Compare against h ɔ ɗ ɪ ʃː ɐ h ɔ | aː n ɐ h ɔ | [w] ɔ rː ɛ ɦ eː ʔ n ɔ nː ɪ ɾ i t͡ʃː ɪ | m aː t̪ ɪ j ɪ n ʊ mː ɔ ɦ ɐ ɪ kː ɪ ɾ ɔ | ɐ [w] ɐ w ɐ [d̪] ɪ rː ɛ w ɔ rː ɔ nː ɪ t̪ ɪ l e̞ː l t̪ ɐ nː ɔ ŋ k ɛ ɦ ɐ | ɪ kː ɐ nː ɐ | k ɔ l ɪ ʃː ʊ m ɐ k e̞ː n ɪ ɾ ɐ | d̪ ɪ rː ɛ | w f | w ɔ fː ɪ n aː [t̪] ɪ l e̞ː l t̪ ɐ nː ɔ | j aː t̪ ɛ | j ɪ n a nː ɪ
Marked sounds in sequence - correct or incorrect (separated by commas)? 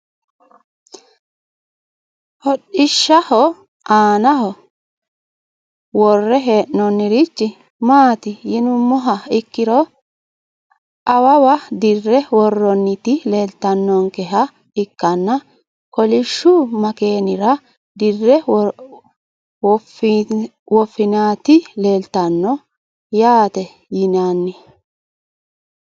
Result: correct, correct, correct, correct